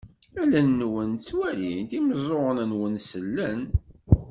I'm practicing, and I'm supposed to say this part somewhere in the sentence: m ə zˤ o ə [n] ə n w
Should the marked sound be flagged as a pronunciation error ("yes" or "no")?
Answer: no